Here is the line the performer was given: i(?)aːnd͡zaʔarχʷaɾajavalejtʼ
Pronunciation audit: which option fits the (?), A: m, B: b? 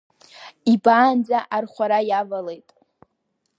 B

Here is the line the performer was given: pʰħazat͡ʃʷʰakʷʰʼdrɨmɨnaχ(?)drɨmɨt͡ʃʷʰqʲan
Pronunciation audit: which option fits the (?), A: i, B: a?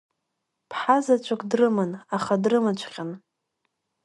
B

